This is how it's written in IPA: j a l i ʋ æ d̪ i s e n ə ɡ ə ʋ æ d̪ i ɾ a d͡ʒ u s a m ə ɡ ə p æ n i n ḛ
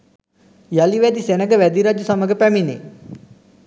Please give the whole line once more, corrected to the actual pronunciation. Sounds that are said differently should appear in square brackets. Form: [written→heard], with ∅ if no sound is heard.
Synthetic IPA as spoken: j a l i ʋ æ d̪ i s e n ə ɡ ə ʋ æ d̪ i ɾ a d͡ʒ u s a m ə ɡ ə p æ [n→m] i n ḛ

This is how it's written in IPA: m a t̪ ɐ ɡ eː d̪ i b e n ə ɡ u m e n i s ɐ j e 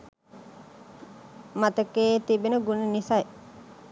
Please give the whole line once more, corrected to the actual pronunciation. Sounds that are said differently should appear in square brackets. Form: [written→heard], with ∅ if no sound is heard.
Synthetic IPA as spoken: m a t̪ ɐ [ɡ→k] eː [d̪→t̪] i b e n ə ɡ u [m→n] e n i s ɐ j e

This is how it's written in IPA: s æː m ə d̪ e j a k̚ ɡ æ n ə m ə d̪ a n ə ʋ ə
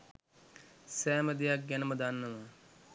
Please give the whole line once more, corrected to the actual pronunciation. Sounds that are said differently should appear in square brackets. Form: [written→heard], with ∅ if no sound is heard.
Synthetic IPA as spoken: s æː m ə d̪ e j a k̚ ɡ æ n ə m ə d̪ a [n→nː] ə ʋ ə

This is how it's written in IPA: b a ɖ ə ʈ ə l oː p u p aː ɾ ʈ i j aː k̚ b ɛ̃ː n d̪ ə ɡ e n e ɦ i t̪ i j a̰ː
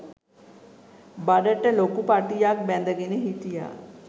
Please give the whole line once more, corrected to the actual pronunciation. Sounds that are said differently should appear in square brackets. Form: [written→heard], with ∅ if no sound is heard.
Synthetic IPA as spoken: b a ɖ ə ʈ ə l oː [p→k] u p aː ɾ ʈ i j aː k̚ b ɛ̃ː n d̪ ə ɡ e n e ɦ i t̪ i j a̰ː

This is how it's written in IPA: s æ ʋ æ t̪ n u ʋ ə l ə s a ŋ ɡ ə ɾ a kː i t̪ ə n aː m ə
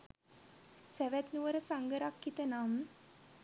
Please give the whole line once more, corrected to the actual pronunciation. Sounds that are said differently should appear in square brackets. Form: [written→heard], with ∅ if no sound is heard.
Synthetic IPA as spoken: s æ ʋ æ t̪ n u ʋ ə [l→ɾ] ə s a ŋ ɡ ə ɾ a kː i t̪ ə n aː m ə

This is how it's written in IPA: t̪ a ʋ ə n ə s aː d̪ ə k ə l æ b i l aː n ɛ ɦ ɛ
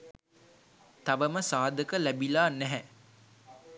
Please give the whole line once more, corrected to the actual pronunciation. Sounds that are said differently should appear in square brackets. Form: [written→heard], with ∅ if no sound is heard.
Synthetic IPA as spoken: t̪ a ʋ ə [n→m] ə s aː d̪ ə k ə l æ b i l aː n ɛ ɦ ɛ

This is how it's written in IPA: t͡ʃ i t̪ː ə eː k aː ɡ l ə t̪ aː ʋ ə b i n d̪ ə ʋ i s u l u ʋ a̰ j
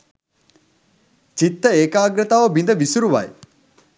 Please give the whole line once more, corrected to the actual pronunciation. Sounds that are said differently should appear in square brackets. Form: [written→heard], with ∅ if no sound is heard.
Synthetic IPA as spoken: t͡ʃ i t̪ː ə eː k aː ɡ [l→ɾ] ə t̪ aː ʋ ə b i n d̪ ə ʋ i s u [l→ɾ] u ʋ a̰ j

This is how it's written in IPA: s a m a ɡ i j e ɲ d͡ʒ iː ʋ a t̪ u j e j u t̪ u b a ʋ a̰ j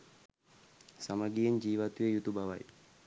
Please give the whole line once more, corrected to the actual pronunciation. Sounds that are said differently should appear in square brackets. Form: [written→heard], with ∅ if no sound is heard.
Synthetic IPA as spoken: s a m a ɡ i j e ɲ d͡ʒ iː ʋ a t̪ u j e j u t̪ u b a ʋ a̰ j

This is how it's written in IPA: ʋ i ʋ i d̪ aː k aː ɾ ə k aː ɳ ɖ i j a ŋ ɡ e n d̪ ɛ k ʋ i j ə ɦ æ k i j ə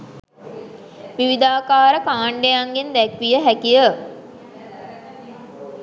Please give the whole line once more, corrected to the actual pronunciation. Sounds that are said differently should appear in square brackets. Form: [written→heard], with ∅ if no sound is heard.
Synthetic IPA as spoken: ʋ i ʋ i d̪ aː k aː ɾ ə k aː ɳ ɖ [i→e] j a ŋ ɡ e n d̪ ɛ k ʋ i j ə ɦ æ k i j ə

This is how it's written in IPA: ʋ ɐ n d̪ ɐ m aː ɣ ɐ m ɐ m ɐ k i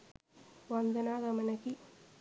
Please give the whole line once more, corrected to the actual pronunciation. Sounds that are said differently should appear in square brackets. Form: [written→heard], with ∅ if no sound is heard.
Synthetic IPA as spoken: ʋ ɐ n d̪ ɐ [m→n] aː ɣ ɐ m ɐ [m→n] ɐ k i

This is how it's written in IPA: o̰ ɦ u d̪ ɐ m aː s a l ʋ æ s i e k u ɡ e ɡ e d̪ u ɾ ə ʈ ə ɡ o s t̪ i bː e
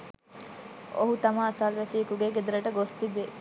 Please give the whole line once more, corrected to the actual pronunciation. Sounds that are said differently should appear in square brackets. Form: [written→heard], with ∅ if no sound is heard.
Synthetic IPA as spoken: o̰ ɦ u [d̪→t̪] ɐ m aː s a l ʋ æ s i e k u ɡ e ɡ e d̪ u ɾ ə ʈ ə ɡ o s t̪ i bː e

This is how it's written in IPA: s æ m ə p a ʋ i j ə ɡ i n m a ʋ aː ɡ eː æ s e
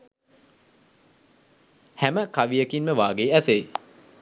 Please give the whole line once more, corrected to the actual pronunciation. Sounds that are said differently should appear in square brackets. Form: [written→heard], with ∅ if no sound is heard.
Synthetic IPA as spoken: [s→h] æ m ə [p→k] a ʋ i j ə [ɡ→k] i n m [a→ə] ʋ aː ɡ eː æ s e

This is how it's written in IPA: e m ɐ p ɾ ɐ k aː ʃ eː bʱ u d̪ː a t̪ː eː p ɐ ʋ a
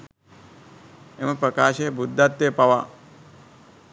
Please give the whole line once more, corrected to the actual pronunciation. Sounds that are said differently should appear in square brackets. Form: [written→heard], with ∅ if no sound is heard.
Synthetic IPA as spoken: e m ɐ p ɾ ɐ k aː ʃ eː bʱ u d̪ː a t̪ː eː p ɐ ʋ a

